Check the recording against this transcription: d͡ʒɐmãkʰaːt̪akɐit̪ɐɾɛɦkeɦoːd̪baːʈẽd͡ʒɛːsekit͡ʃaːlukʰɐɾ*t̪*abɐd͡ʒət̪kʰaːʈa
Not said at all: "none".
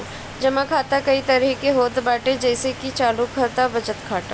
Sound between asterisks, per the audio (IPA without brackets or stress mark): t̪